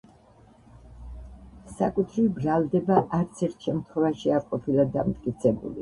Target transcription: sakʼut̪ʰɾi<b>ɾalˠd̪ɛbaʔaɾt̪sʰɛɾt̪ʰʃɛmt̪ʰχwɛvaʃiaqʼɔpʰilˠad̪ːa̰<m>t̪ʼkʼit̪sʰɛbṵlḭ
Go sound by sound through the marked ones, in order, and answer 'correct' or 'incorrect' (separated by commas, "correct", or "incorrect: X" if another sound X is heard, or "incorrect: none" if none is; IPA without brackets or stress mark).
correct, correct